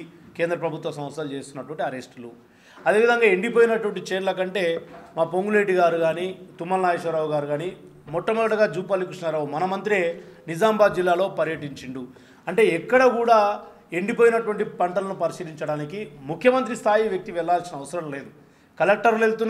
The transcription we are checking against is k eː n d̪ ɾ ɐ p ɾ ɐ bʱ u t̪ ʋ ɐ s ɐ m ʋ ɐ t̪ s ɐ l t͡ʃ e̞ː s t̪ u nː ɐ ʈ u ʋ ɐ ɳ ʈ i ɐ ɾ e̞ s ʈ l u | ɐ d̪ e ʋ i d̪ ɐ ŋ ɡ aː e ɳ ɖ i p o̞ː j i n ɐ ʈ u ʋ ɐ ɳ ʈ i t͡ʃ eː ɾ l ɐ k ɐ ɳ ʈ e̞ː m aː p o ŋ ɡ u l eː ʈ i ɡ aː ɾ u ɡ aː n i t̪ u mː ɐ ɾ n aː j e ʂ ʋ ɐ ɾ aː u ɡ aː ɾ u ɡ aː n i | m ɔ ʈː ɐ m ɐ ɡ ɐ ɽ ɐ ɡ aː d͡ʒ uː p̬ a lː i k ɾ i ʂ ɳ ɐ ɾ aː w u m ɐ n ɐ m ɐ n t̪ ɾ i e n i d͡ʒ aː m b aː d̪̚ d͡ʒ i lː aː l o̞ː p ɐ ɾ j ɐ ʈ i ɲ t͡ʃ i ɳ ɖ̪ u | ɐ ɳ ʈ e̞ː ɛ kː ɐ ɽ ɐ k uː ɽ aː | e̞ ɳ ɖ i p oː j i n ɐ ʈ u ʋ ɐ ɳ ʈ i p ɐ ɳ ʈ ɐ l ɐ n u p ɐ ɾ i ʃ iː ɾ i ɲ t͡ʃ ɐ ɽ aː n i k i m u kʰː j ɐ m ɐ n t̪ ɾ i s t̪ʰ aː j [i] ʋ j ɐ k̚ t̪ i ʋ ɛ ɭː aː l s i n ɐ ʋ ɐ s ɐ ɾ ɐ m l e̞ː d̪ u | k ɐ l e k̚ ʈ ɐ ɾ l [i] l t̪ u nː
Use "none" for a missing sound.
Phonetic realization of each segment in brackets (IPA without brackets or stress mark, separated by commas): i, e